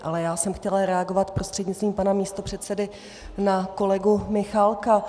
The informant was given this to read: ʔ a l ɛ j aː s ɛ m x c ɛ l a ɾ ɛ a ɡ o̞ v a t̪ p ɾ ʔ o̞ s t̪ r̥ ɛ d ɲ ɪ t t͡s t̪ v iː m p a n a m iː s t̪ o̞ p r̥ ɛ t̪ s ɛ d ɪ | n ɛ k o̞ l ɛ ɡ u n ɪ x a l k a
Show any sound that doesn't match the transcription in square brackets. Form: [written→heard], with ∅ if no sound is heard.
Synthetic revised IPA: ʔ a l ɛ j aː s ɛ m x c ɛ l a ɾ ɛ a ɡ o̞ v a t̪ p ɾ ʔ o̞ s t̪ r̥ ɛ d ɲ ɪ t t͡s t̪ v iː m p a n a m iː s t̪ o̞ p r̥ ɛ t̪ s ɛ d ɪ | n [ɛ→a] k o̞ l ɛ ɡ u [n→m] ɪ x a l k a